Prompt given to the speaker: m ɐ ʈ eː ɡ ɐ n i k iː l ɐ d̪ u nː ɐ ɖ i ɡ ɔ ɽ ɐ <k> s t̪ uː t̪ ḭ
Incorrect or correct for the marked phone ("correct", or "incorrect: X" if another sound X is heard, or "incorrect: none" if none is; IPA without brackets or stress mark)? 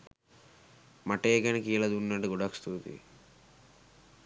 correct